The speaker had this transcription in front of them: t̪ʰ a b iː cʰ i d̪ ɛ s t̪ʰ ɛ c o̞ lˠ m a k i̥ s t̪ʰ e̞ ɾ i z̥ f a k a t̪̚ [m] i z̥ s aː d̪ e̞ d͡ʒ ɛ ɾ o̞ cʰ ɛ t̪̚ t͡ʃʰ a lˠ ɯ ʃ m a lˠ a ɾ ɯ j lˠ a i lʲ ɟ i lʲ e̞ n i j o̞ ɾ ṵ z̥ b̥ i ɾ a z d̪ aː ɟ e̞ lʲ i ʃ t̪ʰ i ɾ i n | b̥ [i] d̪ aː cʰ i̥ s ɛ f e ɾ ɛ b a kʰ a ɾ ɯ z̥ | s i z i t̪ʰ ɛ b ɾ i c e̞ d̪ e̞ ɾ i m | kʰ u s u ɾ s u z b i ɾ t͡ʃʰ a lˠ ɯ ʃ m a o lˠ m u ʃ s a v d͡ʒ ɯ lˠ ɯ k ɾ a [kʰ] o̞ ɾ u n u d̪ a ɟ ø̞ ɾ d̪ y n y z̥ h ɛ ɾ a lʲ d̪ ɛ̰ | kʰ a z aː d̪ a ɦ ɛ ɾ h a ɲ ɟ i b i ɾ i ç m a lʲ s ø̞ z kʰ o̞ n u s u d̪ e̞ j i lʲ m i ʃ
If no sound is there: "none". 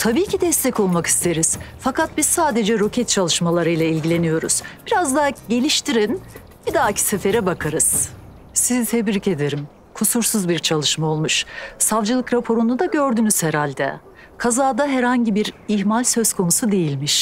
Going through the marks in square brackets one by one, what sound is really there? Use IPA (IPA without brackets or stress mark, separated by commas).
b, i, pʰ